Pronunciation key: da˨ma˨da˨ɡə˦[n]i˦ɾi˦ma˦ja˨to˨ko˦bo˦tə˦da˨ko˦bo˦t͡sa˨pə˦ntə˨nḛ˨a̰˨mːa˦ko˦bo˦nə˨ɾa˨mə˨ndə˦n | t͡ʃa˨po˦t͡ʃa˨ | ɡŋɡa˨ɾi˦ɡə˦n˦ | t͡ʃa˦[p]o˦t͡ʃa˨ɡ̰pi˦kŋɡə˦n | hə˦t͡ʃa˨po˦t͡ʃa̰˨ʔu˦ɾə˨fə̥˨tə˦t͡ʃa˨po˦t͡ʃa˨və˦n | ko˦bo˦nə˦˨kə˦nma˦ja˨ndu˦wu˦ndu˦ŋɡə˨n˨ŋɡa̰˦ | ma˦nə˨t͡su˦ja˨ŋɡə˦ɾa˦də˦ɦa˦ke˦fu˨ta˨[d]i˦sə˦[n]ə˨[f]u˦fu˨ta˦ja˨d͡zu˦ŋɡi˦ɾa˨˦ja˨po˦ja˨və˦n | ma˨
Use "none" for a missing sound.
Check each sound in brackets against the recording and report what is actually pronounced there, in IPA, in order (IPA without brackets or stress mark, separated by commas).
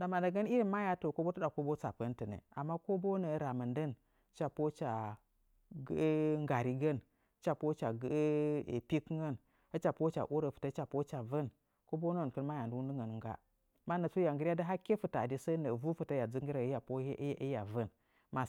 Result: n, p, d, n, v